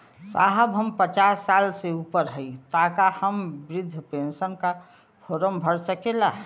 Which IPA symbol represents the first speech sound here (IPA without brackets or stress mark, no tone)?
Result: s